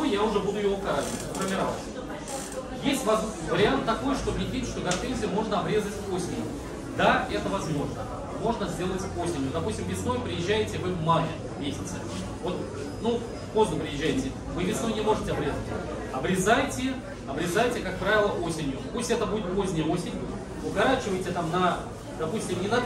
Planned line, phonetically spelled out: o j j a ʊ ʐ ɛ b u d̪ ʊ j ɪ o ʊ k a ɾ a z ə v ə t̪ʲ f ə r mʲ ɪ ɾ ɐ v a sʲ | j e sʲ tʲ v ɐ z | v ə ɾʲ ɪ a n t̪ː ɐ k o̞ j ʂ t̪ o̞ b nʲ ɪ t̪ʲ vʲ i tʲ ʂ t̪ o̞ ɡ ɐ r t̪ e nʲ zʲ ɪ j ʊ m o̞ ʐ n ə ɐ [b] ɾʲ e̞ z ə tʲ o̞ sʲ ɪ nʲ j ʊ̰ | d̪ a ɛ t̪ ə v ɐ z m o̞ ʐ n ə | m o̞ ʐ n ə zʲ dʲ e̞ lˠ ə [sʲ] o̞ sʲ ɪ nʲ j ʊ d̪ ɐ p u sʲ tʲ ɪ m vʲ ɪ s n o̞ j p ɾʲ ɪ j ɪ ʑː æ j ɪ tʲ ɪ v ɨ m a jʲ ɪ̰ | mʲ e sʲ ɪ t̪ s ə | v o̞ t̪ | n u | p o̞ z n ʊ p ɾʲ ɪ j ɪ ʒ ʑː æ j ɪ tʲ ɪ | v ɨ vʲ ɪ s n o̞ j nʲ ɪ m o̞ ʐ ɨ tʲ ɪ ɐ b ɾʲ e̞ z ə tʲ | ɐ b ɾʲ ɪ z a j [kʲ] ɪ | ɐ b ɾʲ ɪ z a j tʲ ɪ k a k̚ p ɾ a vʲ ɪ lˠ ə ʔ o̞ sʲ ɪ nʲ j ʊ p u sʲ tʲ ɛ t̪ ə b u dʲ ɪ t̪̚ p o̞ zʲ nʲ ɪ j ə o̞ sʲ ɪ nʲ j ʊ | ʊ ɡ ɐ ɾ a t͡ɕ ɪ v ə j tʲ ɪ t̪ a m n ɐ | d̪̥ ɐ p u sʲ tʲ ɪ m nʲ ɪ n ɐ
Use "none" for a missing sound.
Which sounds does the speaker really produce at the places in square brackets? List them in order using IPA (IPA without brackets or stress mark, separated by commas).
b, tʲ, tʲ